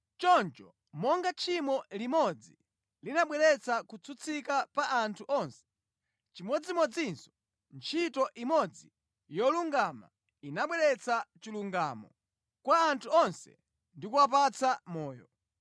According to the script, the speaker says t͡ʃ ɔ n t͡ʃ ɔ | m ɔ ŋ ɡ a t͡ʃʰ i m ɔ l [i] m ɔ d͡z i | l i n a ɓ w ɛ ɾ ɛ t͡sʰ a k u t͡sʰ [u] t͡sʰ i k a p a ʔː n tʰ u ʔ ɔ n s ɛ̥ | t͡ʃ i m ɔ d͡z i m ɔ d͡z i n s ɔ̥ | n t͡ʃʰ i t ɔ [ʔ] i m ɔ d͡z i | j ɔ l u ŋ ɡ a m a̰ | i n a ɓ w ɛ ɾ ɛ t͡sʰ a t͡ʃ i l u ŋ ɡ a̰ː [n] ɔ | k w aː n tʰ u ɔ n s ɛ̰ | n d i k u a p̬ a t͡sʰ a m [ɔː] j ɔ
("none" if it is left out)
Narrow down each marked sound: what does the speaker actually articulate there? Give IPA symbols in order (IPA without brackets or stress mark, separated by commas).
i, u, ʔ, m, ɔː